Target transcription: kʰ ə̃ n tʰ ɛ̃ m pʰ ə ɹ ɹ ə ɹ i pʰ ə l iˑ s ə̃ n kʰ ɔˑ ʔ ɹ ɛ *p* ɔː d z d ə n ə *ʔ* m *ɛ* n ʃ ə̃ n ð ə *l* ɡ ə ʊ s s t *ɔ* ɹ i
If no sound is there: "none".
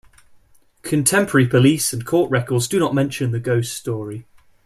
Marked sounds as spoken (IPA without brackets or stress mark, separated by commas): k, ʔ, ɛ̃, none, ɔː